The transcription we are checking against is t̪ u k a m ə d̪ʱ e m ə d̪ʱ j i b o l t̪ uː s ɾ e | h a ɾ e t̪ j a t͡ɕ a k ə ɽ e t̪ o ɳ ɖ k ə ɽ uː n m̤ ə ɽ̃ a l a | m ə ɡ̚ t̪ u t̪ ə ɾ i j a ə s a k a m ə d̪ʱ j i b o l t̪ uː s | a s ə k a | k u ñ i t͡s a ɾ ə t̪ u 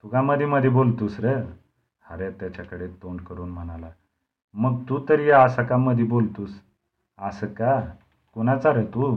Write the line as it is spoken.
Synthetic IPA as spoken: t̪ u k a m ə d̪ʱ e m ə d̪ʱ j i b o l t̪ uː s ɾ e | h a ɾ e t̪ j a t͡ɕ a k ə ɽ e t̪ o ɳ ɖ k ə ɾ uː n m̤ ə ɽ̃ a l a | m ə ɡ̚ t̪ u t̪ ə ɾ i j a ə s a k a m ə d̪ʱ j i b o l t̪ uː s | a s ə k a | k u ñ a t͡s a ɾ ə t̪ u